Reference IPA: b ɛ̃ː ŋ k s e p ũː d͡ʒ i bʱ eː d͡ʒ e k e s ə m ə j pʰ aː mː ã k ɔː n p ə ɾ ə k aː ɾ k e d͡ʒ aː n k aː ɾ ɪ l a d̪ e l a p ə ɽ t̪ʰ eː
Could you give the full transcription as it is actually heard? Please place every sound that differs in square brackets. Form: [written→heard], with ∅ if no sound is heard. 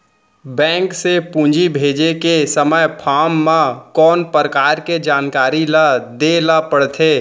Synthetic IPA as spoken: b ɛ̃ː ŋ k s e p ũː d͡ʒ i bʱ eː d͡ʒ e k e s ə m ə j pʰ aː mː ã k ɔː n p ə ɾ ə k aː ɾ k e d͡ʒ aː n k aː ɾ [ɪ→i] l a d̪ e l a p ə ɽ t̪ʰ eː